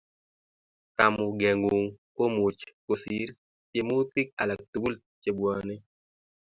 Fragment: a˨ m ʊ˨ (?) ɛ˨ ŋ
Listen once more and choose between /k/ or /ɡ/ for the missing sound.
ɡ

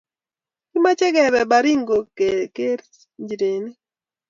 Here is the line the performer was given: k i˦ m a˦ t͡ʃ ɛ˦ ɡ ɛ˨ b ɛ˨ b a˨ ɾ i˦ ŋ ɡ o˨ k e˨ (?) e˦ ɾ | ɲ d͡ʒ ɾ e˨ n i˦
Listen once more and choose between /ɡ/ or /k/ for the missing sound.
k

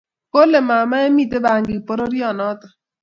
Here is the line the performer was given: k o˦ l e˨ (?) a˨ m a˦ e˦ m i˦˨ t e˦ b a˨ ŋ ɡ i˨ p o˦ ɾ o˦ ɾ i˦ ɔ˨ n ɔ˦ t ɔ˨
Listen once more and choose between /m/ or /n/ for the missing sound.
m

